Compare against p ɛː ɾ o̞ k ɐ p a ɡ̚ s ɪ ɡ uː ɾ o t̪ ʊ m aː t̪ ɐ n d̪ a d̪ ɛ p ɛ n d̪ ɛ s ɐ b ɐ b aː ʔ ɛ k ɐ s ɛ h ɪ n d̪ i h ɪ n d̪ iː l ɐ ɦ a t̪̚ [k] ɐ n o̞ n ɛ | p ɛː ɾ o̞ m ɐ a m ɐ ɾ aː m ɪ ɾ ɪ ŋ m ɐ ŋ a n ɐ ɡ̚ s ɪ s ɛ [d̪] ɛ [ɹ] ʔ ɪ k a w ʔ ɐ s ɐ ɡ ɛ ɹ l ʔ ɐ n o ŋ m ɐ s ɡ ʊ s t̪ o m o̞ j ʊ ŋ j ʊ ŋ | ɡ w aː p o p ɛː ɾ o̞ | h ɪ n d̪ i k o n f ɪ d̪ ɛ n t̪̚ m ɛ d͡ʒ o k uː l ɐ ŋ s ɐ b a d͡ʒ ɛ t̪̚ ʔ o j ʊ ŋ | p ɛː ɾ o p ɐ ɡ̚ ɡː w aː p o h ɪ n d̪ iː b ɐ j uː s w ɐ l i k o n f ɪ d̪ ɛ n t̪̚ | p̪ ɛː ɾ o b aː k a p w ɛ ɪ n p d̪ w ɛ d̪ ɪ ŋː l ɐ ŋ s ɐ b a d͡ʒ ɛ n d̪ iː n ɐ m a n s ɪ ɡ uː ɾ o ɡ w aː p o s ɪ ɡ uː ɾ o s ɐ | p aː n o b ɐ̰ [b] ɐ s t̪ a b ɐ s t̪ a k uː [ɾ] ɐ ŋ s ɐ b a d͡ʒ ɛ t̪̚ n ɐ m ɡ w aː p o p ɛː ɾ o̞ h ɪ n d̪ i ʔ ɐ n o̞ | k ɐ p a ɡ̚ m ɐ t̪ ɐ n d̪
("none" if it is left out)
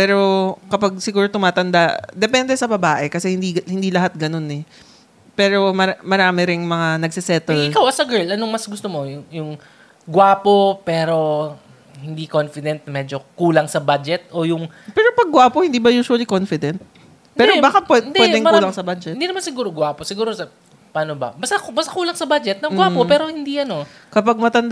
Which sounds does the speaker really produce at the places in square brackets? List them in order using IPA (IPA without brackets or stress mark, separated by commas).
ɡ, t̪, l, b, l